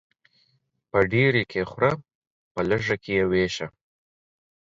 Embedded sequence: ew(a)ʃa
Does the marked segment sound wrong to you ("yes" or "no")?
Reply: yes